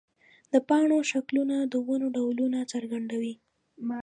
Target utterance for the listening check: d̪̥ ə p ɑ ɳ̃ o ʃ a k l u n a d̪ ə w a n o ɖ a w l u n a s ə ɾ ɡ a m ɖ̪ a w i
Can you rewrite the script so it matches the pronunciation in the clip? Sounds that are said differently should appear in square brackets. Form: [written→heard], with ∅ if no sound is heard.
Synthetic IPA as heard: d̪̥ ə p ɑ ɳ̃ o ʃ a k l u n a d̪ ə w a n o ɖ a w l u n a [s→t͡s] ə ɾ ɡ a [m→ɳ] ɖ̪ a w i

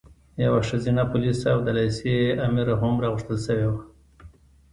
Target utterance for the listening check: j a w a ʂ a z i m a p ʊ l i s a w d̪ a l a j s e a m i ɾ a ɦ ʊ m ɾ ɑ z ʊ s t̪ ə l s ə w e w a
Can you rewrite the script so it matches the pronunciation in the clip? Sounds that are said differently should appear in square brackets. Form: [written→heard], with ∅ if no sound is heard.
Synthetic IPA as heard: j a w a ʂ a z i [m→n] a p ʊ l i s a w d̪ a l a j s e a m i ɾ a ɦ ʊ m ɾ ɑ [z→ɣ] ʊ [s→ʂ] t̪ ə l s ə w e w a

